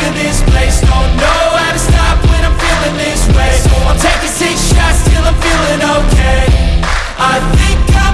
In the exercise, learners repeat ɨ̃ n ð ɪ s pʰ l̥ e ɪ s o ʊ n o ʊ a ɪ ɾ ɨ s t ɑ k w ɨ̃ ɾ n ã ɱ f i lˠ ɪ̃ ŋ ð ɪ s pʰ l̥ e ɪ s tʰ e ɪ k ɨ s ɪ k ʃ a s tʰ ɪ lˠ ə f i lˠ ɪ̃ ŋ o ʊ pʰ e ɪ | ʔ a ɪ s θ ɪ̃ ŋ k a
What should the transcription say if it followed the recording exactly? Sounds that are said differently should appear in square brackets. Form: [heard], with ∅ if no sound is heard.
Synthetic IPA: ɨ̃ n ð ɪ s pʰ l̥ e ɪ s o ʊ n o ʊ a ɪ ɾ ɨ s t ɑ [p] w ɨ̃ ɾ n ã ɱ f i lˠ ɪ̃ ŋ ð ɪ s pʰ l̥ e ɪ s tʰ e ɪ k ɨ s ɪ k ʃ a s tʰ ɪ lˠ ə f i lˠ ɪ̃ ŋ o ʊ [kʰ] e ɪ | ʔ a ɪ [∅] θ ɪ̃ ŋ k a